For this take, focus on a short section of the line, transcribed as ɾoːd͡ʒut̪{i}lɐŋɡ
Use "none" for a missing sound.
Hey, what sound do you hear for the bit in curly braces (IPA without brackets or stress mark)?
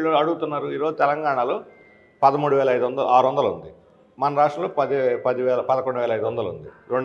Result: ɛ